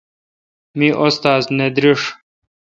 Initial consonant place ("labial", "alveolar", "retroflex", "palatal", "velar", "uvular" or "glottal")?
labial